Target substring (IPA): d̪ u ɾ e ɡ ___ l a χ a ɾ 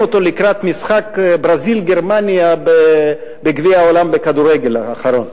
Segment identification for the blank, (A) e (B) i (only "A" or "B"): A